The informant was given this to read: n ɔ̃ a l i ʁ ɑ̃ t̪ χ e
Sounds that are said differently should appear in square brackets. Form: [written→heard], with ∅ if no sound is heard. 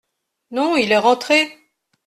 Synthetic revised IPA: n ɔ̃ [a→i] l [i→ɛ] ʁ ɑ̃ t̪ χ e

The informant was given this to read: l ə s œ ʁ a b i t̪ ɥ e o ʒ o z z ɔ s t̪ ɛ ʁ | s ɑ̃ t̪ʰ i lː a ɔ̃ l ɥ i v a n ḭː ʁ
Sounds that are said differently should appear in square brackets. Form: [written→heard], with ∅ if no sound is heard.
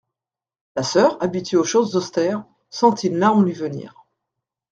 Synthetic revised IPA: l [ə→a] s œ ʁ a b i t̪ ɥ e o [ʒ→ʃ] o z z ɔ s t̪ ɛ ʁ | s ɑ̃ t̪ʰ i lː a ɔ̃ l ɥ i v [a→ə] n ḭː ʁ

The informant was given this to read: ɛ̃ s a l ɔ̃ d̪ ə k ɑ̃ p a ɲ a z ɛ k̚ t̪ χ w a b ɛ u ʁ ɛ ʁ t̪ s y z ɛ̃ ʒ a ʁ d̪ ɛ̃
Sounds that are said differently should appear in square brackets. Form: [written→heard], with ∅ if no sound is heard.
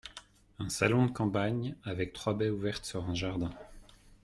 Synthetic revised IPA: ɛ̃ s a l ɔ̃ d̪ ə k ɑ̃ p a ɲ a [z→v] ɛ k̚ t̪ χ w a b ɛ u [ʁ→v] ɛ ʁ t̪ s y [z→ʁ] ɛ̃ ʒ a ʁ d̪ ɛ̃

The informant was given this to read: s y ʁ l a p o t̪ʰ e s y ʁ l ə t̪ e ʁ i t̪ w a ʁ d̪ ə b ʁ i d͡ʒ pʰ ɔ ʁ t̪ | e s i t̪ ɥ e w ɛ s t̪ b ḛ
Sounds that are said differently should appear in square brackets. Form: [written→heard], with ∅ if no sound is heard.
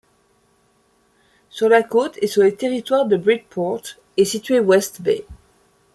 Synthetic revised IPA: s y ʁ l a [p→k] o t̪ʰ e s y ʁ l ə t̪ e ʁ i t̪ w a ʁ d̪ ə b ʁ i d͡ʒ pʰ ɔ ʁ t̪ | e s i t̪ ɥ e w ɛ s t̪ b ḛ

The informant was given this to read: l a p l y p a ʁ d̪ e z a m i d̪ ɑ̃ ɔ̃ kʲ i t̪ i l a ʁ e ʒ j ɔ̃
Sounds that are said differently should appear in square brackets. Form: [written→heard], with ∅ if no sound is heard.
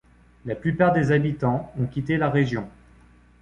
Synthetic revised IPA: l a p l y p a ʁ d̪ e z a [m→b] i [d̪→t̪] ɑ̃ ɔ̃ kʲ i t̪ [i→e] l a ʁ e ʒ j ɔ̃

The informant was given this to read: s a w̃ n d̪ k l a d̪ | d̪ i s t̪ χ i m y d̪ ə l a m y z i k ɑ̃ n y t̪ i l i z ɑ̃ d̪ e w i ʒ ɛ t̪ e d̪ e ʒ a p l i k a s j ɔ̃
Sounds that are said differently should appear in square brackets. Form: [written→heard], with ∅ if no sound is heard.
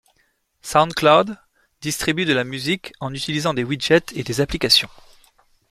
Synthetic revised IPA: s a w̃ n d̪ k l a d̪ | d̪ i s t̪ χ i [m→b] y d̪ ə l a m y z i k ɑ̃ n y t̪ i l i z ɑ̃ d̪ e w i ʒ ɛ t̪ e d̪ e [ʒ→z] a p l i k a s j ɔ̃

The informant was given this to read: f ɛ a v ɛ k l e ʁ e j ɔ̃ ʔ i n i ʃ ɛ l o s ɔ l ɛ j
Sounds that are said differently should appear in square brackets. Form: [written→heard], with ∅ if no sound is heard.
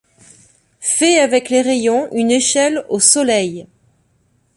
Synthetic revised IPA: f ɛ a v ɛ k l e ʁ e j ɔ̃ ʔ [i→y] n [i→e] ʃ ɛ l o s ɔ l ɛ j

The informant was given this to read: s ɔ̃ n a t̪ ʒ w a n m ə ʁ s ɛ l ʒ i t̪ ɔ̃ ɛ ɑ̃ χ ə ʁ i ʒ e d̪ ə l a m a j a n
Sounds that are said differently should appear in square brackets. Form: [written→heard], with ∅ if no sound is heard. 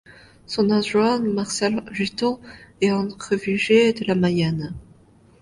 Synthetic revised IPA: s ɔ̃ n a [t̪→∅] ʒ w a n m [ə→a] ʁ s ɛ l ʒ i t̪ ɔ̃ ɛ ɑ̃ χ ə [ʁ→v] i ʒ e d̪ ə l a m a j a n

